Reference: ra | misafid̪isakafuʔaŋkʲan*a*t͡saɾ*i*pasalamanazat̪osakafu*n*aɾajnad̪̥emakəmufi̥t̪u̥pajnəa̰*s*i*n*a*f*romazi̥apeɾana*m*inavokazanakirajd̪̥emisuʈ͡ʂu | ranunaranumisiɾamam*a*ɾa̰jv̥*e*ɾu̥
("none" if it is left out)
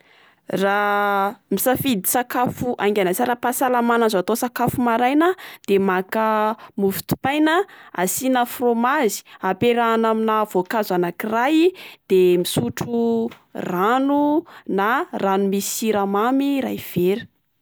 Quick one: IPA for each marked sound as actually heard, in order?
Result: a, a, m, s, n, f, m, i, e

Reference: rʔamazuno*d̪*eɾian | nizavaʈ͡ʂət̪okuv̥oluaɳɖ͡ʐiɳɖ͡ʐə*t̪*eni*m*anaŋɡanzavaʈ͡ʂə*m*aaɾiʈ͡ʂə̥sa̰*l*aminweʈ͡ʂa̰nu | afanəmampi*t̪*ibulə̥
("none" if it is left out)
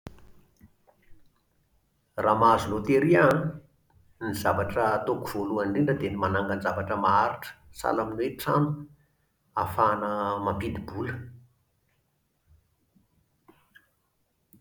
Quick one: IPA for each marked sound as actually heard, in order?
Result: t̪, d̪, m, m, l, d̪

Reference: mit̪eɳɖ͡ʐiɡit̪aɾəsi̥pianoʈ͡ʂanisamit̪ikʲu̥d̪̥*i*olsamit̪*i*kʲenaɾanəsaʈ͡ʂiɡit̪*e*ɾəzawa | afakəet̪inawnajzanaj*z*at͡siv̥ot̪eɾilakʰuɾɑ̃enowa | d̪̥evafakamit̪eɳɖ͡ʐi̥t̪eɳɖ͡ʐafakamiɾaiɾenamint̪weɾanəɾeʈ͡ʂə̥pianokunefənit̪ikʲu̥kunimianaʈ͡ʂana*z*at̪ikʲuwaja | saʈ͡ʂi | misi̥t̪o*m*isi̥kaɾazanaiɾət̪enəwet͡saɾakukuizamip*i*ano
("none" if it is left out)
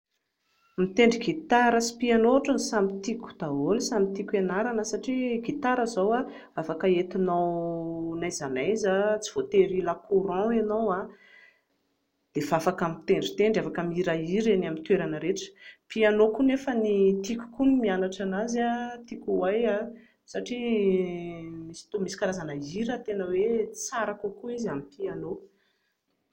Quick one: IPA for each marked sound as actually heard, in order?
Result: a, i, a, z, z, m, i

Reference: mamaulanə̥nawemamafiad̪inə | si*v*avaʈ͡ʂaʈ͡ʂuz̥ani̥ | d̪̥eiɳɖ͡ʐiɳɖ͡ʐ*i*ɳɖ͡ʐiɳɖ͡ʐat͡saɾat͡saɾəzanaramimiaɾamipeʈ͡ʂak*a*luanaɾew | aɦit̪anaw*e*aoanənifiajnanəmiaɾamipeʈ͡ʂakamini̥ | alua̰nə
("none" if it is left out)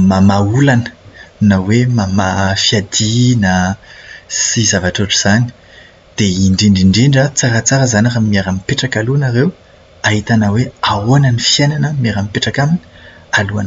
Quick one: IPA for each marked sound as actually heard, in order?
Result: z, i, a, e

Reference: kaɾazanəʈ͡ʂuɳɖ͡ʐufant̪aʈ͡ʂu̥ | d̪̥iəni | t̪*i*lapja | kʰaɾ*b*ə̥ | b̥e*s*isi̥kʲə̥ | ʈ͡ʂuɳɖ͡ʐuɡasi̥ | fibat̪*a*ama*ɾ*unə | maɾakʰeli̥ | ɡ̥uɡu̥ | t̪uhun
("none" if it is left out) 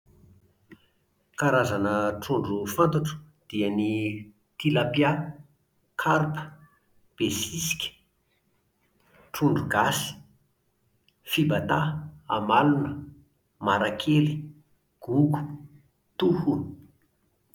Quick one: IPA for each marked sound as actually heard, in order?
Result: i, p, s, a, l

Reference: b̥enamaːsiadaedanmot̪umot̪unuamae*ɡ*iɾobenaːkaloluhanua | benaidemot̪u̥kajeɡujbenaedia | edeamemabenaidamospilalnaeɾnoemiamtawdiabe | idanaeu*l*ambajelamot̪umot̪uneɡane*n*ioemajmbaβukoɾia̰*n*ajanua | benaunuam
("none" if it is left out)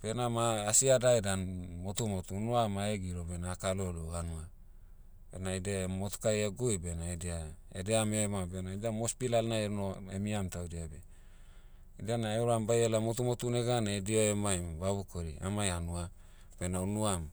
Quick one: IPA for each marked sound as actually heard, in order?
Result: ɡ, ɾ, d, m

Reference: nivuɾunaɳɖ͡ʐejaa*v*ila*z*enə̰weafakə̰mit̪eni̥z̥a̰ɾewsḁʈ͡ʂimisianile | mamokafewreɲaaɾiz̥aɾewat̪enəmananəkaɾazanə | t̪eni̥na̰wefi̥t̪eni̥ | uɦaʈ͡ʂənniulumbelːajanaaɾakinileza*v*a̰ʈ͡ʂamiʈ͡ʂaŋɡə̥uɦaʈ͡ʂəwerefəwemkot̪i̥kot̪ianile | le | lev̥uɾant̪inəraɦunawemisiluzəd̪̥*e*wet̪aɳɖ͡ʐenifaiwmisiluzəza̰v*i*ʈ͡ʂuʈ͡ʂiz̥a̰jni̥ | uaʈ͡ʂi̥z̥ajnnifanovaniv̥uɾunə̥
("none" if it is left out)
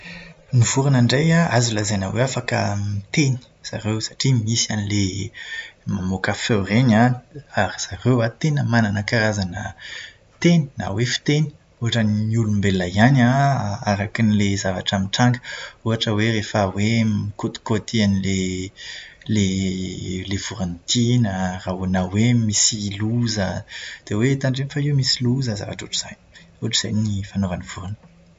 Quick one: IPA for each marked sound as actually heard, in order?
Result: z, z, v, e, a

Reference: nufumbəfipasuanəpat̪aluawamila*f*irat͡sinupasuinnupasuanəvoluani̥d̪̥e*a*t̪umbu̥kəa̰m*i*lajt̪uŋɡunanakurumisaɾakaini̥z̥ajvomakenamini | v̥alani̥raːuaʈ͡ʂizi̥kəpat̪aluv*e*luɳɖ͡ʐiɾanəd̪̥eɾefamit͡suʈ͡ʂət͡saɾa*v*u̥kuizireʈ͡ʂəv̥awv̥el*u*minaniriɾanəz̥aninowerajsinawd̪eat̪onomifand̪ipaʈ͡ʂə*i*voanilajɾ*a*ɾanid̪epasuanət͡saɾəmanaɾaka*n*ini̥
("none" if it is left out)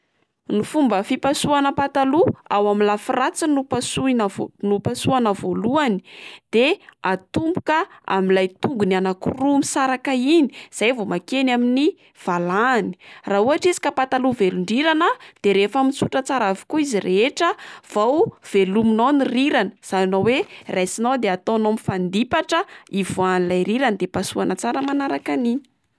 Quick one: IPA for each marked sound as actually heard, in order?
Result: f, a, i, e, v, u, i, i, n

